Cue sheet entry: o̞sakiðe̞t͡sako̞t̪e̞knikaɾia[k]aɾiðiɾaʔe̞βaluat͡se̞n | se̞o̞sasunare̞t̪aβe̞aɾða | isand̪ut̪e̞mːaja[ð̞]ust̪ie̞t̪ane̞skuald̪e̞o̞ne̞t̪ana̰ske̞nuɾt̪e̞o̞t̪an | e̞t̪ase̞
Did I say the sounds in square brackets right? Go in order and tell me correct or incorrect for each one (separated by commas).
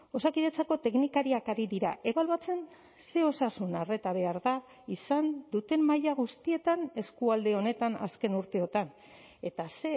correct, incorrect